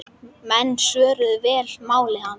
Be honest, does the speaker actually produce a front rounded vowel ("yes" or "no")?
yes